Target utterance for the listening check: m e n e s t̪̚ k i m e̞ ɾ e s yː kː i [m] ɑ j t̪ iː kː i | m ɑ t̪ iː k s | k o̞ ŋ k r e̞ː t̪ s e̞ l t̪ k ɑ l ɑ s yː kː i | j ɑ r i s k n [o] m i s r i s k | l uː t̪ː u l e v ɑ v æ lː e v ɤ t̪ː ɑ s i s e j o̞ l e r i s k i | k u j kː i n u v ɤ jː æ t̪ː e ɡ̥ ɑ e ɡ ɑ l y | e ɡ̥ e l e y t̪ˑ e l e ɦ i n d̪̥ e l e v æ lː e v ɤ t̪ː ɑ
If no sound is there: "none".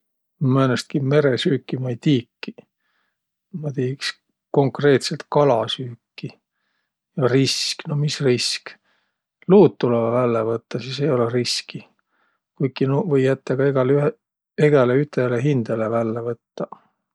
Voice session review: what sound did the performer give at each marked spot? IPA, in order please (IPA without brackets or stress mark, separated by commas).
m, o